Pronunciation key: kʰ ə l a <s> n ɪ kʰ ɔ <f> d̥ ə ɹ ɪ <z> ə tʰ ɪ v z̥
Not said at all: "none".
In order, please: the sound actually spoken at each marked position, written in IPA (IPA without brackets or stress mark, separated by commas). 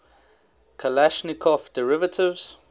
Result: ʃ, f, v